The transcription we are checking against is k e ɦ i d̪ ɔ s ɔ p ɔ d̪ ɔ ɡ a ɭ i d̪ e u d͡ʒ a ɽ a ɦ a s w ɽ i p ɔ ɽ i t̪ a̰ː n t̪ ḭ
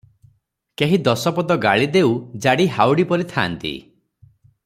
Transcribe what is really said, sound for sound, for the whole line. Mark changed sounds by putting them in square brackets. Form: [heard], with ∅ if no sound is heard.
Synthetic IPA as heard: k e ɦ i d̪ ɔ s ɔ p ɔ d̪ ɔ ɡ a ɭ i d̪ e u d͡ʒ a ɽ [i] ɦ a [∅] w ɽ i p ɔ [ɾ] i [t̪ʰ] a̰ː n t̪ ḭ